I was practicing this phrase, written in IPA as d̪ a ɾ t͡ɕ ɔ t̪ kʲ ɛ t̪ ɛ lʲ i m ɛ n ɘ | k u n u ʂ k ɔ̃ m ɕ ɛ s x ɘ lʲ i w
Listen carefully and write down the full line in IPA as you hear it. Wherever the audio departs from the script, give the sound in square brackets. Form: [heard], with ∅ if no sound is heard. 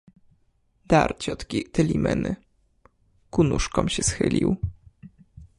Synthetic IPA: d̪ a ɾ t͡ɕ ɔ t̪ kʲ [i] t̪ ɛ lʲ i m ɛ n ɘ | k u n u ʂ k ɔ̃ m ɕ ɛ s x ɘ lʲ i w